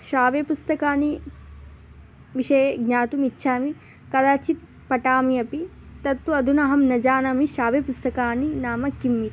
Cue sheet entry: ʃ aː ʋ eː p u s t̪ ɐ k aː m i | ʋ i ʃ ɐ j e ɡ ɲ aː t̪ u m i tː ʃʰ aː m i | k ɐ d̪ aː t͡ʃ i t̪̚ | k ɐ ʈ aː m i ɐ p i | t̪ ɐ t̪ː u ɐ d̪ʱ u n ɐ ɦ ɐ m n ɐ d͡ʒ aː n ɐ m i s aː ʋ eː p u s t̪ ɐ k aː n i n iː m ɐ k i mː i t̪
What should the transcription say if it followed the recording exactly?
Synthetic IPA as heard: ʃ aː ʋ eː p u s t̪ ɐ k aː n i | ʋ i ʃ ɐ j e ɡ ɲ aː t̪ u m i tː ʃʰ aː m i | k ɐ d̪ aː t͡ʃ i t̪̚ | p ɐ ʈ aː m i ɐ p i | t̪ ɐ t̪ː u ɐ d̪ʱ u n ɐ ɦ ɐ m n ɐ d͡ʒ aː n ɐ m i ʃ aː ʋ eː p u s t̪ ɐ k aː n i n aː m ɐ k i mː i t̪